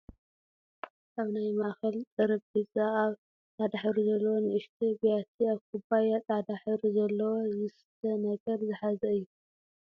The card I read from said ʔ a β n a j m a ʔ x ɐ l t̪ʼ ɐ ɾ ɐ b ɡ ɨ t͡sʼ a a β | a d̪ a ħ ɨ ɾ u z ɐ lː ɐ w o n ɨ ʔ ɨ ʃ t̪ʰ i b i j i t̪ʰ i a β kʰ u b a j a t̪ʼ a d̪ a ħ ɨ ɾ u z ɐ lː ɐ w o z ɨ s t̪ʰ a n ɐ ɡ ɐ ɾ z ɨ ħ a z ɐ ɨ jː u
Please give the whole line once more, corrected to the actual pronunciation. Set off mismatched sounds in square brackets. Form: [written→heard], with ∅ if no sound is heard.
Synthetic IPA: ʔ a β n a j m a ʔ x ɐ l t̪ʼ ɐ ɾ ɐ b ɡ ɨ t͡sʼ a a β | a d̪ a ħ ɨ ɾ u z ɐ lː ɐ w o n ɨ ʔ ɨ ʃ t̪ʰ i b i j [i→a] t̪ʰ i a β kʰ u b a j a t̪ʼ a d̪ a ħ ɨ ɾ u z ɐ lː ɐ w o z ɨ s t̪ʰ [a→ɐ] n ɐ ɡ ɐ ɾ z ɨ ħ a z ɐ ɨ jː u

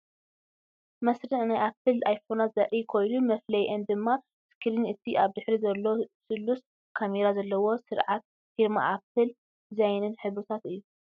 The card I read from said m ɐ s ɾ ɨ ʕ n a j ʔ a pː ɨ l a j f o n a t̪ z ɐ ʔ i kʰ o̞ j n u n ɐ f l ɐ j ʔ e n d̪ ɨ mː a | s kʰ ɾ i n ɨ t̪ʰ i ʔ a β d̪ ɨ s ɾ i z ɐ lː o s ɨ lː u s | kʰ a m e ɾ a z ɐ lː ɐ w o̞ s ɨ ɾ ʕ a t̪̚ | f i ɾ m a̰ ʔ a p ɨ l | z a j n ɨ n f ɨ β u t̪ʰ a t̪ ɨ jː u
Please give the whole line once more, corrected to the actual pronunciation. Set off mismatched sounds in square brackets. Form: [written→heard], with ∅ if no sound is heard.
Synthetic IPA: m ɐ s ɾ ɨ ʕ n a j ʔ a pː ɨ l a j f o n a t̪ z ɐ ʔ i kʰ o̞ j n u [n→m] ɐ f l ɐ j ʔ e n d̪ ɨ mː a | s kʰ ɾ i n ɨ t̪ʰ i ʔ a β d̪ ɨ [s→ħ] ɾ i z ɐ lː o s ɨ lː u s | kʰ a m e ɾ a z ɐ lː ɐ w o̞ s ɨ ɾ ʕ a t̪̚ | f i ɾ m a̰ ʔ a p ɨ l | z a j n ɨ n [f→ħ] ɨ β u t̪ʰ a t̪ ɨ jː u

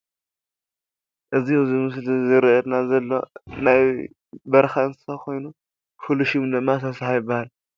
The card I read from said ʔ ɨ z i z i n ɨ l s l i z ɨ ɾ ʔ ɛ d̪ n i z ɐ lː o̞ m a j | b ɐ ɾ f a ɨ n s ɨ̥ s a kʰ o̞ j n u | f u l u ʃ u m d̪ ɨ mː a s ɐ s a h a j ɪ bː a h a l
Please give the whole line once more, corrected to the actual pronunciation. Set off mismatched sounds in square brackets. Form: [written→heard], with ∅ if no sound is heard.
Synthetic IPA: ʔ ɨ z i z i [n→m] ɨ [l→∅] s l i z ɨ ɾ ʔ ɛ d̪ n [i→a] z ɐ lː o̞ [m→n] a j | b ɐ ɾ [f→x] a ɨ n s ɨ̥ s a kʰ o̞ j n u | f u l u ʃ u m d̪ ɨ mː a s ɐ s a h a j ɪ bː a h a l

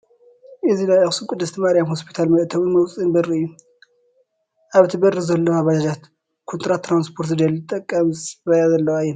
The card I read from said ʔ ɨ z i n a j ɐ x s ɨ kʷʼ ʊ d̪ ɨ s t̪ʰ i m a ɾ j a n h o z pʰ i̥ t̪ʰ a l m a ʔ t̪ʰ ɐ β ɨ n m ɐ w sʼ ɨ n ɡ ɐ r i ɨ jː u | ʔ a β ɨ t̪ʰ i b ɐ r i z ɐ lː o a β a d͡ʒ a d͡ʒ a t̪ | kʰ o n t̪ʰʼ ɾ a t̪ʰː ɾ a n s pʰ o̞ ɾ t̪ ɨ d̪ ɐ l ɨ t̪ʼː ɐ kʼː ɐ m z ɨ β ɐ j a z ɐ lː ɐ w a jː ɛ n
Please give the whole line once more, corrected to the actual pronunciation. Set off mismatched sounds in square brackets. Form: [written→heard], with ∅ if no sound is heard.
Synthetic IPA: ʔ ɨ z i n a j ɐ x s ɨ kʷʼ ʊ d̪ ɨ s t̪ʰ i m a ɾ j a [n→m] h o [z→s] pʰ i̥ t̪ʰ a l m [a→ɐ] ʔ t̪ʰ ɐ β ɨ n m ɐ w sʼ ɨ n [ɡ→b] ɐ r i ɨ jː u | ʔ a β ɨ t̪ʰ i b ɐ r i z ɐ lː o a β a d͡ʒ a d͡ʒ a t̪ | kʰ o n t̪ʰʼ ɾ a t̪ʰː ɾ a n s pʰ o̞ ɾ t̪ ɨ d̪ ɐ l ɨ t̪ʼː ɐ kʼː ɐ m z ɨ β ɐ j a z ɐ lː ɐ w a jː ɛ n

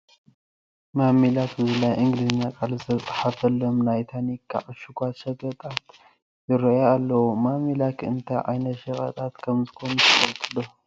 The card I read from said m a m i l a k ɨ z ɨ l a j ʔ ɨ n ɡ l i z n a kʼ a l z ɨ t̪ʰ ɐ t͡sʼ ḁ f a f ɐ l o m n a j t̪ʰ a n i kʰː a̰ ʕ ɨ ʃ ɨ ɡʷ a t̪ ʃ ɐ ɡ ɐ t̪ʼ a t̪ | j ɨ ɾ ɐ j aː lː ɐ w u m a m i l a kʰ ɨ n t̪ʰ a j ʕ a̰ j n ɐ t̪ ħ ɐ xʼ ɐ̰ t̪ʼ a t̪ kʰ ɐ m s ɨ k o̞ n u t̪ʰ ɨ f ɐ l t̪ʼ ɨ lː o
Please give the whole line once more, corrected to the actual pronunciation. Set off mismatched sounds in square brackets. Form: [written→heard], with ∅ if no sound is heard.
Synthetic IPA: m a m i l a k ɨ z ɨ l a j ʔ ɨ [n→ŋ] ɡ l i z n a kʼ a l z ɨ t̪ʰ ɐ t͡sʼ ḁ [f→ħ] a f ɐ l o m n a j t̪ʰ a n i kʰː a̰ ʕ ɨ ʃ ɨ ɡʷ a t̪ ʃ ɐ ɡ ɐ t̪ʼ a t̪ | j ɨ ɾ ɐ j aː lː ɐ w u m a m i l a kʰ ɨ n t̪ʰ a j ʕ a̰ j n ɐ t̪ [ħ→ʃ] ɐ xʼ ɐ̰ t̪ʼ a t̪ kʰ ɐ m [s→z] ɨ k o̞ n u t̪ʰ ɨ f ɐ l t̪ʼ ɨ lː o

